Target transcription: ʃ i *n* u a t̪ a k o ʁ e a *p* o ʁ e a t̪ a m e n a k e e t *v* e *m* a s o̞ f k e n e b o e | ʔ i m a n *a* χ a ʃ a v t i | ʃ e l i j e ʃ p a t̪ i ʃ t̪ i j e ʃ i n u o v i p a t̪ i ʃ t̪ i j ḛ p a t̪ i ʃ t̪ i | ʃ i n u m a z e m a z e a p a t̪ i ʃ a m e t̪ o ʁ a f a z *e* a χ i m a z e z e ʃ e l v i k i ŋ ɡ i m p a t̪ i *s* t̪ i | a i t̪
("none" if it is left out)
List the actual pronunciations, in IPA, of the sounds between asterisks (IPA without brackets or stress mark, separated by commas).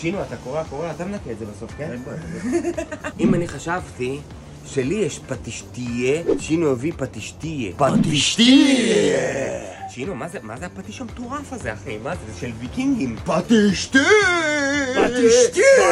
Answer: n, k, z, b, i, e, ʃ